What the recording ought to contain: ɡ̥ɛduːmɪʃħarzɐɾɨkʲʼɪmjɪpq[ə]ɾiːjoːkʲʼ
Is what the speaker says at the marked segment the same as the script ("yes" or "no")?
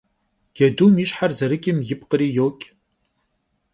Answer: yes